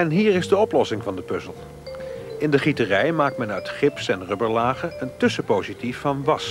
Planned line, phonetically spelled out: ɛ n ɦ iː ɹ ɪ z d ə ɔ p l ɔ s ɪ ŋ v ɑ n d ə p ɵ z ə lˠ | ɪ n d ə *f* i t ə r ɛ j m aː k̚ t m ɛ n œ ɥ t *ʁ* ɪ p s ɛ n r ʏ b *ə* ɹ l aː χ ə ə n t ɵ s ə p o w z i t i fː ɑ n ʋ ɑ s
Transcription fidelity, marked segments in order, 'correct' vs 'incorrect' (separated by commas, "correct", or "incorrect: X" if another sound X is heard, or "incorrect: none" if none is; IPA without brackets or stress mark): incorrect: χ, incorrect: χ, correct